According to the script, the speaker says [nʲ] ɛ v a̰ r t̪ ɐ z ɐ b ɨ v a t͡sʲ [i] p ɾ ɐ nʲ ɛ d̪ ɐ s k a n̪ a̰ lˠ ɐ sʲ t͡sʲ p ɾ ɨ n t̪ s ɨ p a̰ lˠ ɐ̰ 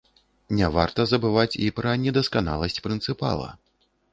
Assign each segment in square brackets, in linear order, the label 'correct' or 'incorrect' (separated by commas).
correct, correct